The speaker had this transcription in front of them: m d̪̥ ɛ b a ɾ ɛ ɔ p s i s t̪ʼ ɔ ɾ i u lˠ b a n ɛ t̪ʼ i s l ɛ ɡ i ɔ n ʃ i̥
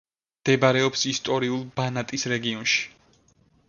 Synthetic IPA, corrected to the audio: m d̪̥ ɛ b a ɾ ɛ ɔ p s i s t̪ʼ ɔ ɾ i u lˠ b a n a t̪ʼ i s ɾ ɛ ɡ i ɔ n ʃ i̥